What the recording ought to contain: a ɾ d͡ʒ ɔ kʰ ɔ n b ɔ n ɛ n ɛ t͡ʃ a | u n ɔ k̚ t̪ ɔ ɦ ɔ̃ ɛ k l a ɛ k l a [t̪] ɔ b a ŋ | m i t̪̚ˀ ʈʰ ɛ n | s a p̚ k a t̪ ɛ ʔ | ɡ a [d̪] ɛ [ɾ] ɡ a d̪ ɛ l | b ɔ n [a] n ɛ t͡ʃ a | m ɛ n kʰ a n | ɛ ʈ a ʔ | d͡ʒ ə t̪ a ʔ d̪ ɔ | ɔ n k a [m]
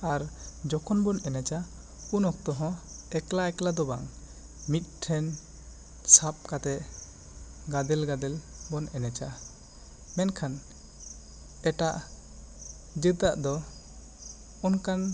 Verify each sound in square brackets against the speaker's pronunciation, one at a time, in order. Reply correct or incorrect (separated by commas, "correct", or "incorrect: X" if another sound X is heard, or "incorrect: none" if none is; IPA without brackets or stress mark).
incorrect: d̪, correct, incorrect: l, incorrect: ɛ, incorrect: n